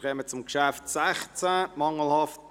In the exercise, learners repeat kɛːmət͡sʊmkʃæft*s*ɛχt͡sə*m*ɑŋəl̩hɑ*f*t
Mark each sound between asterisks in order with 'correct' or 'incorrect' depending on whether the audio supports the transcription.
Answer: correct, correct, correct

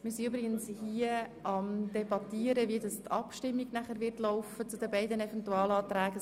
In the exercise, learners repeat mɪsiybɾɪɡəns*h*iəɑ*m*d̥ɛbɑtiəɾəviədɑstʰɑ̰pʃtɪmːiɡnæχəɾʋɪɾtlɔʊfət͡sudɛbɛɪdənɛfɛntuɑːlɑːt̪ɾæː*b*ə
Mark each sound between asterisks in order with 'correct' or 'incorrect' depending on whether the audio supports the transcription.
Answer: correct, correct, incorrect

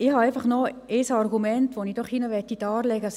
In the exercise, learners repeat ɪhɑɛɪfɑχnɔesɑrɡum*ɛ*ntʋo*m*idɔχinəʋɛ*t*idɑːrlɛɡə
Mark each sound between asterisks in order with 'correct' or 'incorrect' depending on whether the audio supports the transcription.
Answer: correct, incorrect, correct

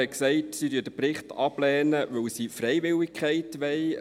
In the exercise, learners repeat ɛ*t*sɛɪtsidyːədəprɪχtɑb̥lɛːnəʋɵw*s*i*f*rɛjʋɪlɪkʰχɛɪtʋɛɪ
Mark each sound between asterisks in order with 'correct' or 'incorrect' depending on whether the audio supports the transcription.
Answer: incorrect, correct, correct

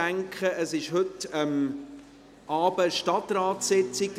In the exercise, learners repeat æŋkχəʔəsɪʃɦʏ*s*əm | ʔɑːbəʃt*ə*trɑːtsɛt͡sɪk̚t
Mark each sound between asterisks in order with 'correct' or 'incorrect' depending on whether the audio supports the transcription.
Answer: incorrect, incorrect

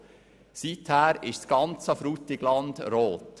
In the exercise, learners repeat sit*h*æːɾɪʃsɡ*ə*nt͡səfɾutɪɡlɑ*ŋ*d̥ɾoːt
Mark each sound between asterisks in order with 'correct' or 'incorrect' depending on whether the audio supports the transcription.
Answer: correct, incorrect, incorrect

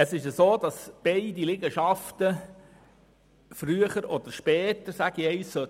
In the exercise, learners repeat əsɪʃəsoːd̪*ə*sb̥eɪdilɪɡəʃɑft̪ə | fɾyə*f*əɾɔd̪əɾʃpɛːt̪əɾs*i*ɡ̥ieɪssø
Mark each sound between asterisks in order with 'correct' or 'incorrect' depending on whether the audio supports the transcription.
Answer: incorrect, incorrect, incorrect

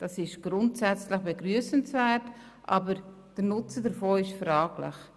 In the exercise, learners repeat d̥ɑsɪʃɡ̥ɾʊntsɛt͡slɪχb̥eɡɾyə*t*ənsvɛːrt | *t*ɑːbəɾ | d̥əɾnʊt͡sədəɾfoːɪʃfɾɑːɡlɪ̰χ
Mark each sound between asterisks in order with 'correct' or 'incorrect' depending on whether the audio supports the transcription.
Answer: incorrect, incorrect

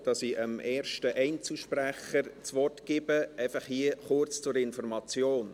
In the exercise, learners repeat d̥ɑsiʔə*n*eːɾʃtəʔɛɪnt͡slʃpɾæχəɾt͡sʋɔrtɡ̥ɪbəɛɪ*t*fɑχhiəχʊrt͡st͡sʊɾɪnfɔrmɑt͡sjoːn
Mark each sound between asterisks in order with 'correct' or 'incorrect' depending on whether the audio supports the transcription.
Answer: incorrect, incorrect

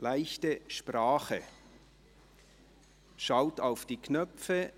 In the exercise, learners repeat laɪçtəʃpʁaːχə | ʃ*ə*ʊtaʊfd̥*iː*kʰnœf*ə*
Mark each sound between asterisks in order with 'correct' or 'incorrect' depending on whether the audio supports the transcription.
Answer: incorrect, correct, correct

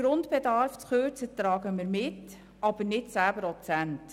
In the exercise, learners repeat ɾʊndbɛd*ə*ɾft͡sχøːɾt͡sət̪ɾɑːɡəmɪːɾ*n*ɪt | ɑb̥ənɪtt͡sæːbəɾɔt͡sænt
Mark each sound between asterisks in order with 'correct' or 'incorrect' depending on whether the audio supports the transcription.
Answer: incorrect, incorrect

